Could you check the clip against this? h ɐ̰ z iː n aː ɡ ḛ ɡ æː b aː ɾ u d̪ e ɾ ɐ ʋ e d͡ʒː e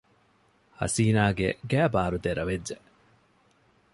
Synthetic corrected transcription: h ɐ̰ s iː n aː ɡ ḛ ɡ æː b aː ɾ u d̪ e ɾ ɐ ʋ e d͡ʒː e